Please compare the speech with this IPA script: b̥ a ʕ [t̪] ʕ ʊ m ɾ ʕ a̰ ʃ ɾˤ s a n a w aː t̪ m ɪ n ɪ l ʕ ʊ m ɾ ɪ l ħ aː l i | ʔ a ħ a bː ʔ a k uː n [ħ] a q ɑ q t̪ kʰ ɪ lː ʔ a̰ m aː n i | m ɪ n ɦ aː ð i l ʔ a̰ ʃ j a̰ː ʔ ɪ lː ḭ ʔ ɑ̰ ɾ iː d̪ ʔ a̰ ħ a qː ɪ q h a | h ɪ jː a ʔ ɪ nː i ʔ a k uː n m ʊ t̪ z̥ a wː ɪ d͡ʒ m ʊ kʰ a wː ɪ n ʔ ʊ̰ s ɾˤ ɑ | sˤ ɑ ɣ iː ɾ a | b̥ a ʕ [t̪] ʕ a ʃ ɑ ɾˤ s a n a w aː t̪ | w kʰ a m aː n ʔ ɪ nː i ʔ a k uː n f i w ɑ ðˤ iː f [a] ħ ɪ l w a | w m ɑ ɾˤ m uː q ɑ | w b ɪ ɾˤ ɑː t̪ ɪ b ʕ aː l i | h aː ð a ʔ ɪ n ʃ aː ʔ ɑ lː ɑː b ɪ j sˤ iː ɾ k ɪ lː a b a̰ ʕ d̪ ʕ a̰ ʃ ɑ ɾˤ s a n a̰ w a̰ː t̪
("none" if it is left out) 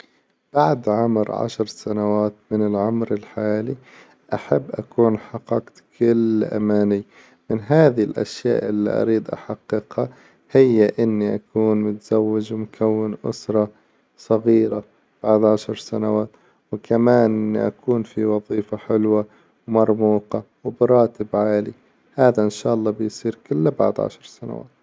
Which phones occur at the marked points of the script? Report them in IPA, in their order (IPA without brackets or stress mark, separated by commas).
d̪, ħ, d̪, a